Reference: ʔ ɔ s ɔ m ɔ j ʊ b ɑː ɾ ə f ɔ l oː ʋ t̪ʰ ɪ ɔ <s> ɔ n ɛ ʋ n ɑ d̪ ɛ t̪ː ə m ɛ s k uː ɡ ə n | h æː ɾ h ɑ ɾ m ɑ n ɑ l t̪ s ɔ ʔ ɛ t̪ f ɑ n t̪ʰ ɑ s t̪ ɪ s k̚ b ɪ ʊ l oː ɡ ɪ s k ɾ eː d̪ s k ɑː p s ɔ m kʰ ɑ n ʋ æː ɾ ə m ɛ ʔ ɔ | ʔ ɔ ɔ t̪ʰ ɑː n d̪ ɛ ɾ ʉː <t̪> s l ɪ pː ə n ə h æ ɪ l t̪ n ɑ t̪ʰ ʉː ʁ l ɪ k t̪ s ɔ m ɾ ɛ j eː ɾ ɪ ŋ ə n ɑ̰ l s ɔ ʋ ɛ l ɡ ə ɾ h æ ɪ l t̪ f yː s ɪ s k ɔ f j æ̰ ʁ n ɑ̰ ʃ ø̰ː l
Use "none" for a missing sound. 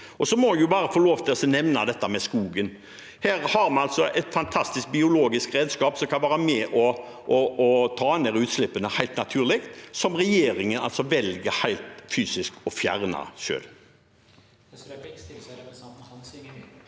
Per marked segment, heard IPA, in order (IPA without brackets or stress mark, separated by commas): s, t̪